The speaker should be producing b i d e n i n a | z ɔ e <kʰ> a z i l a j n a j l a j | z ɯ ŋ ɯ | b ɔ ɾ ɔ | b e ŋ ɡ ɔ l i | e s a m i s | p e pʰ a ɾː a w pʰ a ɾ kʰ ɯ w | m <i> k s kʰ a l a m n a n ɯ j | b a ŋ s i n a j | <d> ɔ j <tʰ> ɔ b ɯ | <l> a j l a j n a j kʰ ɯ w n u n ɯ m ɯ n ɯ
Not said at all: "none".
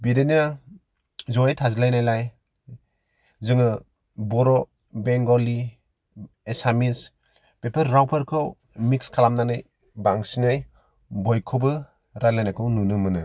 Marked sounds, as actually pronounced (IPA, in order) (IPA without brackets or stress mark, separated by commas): tʰ, i, b, kʰ, ɾ